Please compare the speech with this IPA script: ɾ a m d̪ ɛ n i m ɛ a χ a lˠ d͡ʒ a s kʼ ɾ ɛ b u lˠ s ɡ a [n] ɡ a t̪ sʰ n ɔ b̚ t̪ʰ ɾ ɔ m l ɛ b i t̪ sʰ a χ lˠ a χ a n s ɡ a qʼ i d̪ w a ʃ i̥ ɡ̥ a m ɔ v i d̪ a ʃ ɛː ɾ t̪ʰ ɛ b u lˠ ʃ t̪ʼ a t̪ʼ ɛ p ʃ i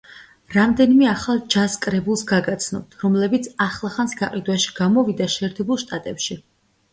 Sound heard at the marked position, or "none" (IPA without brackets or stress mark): none